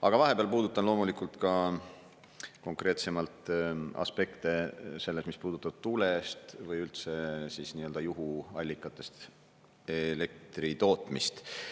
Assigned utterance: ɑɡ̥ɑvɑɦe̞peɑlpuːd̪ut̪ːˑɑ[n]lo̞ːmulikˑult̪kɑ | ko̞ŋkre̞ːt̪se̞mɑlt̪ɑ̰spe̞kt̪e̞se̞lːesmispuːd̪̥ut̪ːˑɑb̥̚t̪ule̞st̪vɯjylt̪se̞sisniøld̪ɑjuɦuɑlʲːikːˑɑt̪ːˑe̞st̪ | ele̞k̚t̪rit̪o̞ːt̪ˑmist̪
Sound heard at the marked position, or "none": n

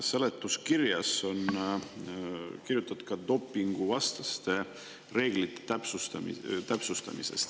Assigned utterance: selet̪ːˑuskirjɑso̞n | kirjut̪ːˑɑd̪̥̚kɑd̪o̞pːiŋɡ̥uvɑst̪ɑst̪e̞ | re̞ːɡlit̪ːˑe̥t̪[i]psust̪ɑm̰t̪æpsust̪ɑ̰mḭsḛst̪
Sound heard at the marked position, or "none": æ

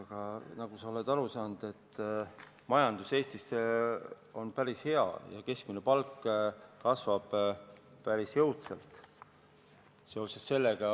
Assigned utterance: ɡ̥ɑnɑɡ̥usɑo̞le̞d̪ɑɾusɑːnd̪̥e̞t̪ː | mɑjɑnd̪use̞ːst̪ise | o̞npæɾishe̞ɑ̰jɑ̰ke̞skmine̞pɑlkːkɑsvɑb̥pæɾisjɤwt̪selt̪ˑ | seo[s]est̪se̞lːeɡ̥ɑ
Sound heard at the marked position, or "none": s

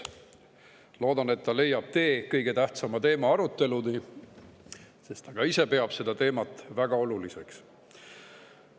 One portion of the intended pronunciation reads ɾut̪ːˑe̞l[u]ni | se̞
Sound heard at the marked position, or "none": u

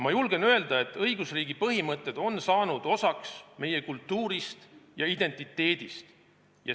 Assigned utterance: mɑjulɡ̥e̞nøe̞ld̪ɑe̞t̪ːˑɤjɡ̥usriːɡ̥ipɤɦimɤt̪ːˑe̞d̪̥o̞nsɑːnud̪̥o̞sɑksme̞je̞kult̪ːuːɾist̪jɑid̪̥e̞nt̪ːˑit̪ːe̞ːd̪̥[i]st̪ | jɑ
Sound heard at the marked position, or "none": i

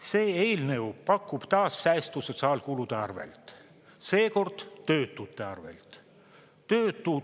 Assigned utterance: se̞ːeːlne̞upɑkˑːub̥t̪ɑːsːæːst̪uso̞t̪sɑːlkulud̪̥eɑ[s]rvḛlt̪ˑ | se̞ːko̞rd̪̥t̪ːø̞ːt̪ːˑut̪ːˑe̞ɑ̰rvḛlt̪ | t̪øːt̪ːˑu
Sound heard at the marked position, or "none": none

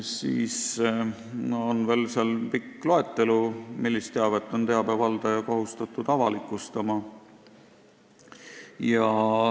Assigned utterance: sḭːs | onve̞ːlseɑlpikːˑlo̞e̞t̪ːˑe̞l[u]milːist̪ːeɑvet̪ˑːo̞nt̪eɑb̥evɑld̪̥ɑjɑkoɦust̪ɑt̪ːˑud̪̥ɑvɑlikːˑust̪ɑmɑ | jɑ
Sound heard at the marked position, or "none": u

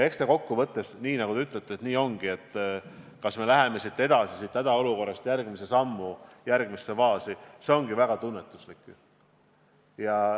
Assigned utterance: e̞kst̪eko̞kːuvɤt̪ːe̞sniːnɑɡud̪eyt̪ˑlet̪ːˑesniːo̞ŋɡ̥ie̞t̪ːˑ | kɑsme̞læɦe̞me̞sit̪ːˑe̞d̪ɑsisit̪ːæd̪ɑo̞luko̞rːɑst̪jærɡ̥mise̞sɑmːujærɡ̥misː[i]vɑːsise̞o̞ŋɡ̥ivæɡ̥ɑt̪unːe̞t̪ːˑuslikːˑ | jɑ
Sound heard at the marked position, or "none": e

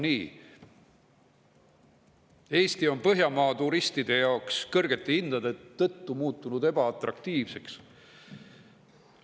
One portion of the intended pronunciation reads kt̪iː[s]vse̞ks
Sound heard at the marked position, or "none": none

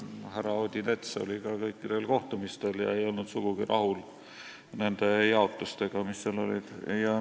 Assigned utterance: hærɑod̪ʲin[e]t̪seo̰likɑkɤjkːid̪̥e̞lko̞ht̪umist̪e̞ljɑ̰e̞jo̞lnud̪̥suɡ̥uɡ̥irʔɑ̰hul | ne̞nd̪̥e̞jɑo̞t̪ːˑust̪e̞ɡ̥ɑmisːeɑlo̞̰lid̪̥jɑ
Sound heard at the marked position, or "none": e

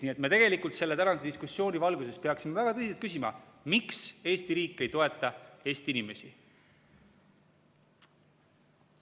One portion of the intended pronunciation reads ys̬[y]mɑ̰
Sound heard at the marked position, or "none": i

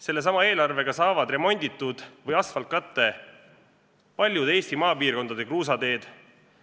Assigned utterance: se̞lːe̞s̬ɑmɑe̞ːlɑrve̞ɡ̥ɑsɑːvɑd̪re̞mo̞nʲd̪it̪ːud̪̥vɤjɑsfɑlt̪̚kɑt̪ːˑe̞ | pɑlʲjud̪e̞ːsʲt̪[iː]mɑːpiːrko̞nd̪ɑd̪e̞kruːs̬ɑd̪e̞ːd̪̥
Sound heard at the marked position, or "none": i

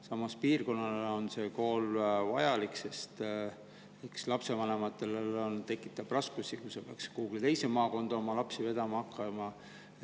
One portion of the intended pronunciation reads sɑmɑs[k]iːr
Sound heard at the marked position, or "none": p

